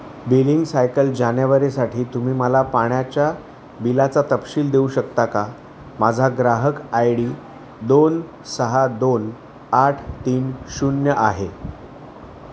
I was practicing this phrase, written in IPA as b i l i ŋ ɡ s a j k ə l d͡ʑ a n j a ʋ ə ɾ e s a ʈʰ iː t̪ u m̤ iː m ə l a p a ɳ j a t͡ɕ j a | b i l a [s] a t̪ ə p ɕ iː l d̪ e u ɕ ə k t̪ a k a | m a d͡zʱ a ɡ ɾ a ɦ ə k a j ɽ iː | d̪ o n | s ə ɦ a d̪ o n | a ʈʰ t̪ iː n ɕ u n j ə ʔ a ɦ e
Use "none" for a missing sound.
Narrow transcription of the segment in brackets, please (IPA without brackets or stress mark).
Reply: t͡s